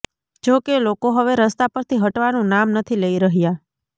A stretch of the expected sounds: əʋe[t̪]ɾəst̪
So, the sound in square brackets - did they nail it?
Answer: no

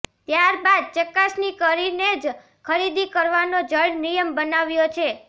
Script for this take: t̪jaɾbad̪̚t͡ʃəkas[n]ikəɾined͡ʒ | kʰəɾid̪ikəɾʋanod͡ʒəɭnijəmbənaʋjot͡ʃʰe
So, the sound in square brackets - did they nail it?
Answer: yes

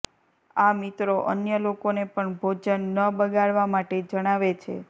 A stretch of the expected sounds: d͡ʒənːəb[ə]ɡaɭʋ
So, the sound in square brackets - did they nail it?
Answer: yes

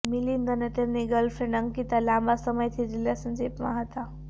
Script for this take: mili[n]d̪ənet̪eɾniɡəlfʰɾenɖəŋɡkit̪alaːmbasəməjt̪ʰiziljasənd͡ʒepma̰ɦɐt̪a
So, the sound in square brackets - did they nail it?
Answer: yes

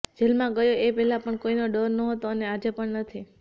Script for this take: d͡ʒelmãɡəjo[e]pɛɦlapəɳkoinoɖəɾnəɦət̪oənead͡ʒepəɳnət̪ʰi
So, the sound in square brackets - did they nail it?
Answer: yes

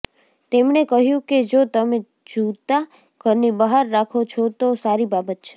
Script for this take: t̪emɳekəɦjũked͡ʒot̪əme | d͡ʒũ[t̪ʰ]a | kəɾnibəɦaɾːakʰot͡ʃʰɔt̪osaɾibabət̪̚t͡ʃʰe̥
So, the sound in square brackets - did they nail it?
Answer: no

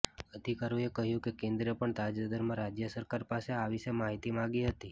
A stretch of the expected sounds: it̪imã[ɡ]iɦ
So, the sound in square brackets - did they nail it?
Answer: yes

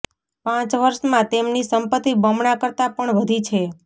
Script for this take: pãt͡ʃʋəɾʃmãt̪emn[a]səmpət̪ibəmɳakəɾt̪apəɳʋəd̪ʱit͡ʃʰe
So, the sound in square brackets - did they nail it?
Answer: no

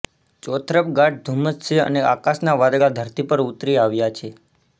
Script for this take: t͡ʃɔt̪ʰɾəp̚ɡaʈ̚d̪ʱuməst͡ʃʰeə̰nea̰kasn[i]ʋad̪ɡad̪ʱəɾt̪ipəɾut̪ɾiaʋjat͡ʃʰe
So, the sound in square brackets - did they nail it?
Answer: no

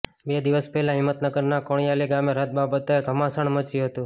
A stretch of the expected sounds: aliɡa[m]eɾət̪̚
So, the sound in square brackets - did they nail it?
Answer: yes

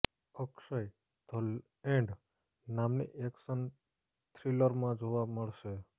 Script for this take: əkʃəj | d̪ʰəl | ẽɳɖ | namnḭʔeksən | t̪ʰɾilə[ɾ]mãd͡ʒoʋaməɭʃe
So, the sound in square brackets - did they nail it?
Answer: yes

